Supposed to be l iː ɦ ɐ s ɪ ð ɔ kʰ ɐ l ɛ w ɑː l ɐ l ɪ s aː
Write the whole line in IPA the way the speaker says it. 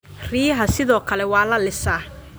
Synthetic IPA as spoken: r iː ɦ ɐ s ɪ ð ɔː kʰ ɐ l ɛ w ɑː l ɐ l ɪ s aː